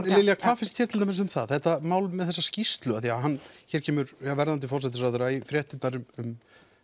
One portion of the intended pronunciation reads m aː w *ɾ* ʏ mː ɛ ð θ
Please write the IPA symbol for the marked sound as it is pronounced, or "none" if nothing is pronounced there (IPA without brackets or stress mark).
l